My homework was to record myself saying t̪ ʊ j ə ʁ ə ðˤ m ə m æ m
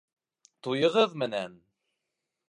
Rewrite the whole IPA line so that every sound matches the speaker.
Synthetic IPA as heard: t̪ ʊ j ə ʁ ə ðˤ m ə n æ n